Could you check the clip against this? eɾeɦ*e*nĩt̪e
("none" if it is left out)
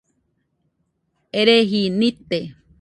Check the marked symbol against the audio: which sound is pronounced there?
i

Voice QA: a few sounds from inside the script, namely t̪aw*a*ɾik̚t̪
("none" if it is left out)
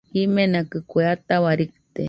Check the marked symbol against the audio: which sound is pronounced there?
a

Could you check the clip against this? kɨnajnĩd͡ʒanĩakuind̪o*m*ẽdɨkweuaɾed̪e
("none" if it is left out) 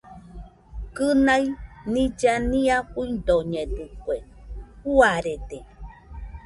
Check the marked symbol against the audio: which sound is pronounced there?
ɲ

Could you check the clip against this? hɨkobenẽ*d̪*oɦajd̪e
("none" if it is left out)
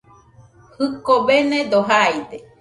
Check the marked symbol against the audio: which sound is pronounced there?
d̪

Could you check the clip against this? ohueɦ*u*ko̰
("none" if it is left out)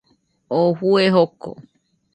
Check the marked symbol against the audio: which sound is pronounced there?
o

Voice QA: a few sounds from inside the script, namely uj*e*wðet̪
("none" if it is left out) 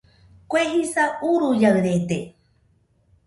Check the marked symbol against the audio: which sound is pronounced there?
a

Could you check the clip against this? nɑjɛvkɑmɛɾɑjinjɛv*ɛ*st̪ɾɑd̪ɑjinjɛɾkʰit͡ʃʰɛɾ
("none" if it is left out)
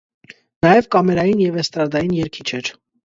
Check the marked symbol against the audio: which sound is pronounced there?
ɛ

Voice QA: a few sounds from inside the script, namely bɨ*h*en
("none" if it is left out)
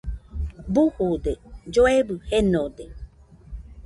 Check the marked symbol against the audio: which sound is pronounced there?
h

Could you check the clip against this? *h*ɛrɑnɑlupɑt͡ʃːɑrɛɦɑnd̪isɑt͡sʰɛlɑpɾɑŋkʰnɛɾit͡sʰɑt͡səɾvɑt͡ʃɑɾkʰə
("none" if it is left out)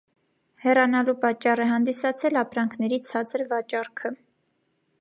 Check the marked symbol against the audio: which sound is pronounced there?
h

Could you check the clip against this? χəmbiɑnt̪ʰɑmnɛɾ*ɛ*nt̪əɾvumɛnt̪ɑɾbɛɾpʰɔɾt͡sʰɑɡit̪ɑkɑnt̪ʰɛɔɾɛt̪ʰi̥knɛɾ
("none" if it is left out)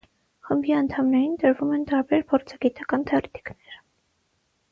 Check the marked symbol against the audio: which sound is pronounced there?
i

